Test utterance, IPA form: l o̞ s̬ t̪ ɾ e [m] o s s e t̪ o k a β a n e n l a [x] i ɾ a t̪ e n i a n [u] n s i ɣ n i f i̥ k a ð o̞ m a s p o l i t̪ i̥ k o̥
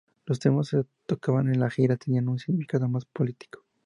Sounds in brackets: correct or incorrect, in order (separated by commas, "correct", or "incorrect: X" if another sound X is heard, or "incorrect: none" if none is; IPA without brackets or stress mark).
correct, correct, correct